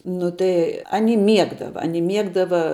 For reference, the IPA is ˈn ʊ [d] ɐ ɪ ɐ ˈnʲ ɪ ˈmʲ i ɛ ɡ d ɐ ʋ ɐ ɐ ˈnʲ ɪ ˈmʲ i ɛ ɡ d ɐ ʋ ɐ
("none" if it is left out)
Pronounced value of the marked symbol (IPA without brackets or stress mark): t